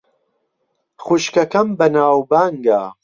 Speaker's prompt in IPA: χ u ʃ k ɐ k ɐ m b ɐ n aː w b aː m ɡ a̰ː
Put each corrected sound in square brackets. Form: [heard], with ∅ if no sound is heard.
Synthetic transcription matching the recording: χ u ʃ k ɐ k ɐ m b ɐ n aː w b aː [ŋ] ɡ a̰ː